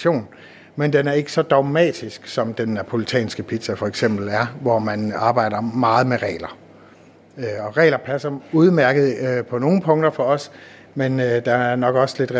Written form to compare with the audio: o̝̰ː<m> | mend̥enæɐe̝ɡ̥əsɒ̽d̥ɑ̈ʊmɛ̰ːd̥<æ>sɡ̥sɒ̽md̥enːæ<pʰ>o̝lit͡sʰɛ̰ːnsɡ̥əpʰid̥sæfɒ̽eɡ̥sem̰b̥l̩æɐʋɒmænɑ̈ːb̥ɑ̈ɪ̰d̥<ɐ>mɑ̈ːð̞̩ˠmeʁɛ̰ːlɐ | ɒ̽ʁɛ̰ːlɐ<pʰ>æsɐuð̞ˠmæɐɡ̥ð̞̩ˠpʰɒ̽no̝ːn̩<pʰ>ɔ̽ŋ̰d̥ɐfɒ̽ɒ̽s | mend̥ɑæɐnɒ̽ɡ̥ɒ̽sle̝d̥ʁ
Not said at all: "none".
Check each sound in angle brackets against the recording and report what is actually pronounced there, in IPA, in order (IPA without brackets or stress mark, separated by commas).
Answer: n, i, pʰ, ɐ, pʰ, pʰ